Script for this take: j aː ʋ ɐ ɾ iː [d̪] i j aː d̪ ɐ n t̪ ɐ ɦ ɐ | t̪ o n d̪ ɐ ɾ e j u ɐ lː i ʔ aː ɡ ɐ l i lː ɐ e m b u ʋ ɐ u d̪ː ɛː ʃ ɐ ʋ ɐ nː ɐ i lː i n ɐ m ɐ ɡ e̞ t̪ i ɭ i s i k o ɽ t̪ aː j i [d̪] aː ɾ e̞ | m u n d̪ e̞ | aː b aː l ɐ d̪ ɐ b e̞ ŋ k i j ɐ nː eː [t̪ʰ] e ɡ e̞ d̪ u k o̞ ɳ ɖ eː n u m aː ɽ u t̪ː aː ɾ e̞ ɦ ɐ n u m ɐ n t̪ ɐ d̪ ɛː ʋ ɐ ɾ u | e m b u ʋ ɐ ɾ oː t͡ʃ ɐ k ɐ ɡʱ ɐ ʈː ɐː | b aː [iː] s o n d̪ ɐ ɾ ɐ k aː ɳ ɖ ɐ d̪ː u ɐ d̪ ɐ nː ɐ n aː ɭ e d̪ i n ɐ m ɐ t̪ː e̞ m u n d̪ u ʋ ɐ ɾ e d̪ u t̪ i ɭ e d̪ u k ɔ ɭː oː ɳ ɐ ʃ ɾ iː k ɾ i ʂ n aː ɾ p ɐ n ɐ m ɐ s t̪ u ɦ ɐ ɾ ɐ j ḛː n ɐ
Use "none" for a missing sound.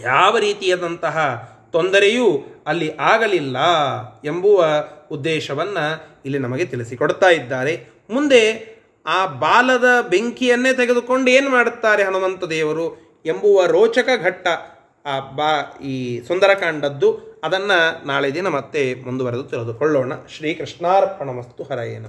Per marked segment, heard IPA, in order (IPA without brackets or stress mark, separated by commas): t̪, d̪ː, t̪, iː